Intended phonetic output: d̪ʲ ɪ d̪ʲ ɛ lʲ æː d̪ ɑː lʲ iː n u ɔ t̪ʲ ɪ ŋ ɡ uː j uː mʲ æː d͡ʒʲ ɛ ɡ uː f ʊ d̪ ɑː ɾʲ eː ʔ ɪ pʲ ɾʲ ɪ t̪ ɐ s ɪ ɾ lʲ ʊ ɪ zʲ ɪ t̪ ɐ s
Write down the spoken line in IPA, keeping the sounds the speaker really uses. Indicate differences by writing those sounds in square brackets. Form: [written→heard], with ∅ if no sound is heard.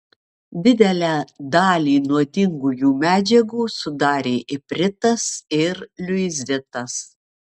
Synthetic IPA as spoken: d̪ʲ ɪ d̪ʲ ɛ lʲ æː d̪ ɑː lʲ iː n u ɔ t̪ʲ ɪ ŋ ɡ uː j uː mʲ æː d͡ʒʲ ɛ ɡ uː [f→s] ʊ d̪ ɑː ɾʲ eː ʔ ɪ pʲ ɾʲ ɪ t̪ ɐ s ɪ ɾ lʲ ʊ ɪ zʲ ɪ t̪ ɐ s